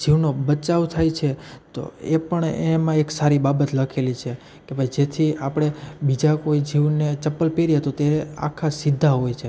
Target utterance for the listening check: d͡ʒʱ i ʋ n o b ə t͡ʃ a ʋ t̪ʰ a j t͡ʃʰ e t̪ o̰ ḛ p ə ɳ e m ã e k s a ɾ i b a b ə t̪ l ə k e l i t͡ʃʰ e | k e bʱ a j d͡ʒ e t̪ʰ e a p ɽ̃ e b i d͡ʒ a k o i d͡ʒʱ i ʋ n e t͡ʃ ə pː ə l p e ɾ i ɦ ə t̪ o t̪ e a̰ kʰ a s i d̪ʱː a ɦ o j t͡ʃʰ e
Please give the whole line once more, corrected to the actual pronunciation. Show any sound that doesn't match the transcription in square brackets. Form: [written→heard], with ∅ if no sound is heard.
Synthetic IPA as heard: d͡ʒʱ i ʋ n o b ə t͡ʃ a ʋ t̪ʰ a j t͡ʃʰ e t̪ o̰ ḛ p ə ɳ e m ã e k s a ɾ i b a b ə t̪ l ə [k→kʰ] e l i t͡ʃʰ e | k e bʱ a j d͡ʒ e t̪ʰ [e→i] a p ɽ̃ e b i d͡ʒ a k o i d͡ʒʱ i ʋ n e t͡ʃ ə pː ə l p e ɾ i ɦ ə t̪ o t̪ e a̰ kʰ a s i d̪ʱː a ɦ o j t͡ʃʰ e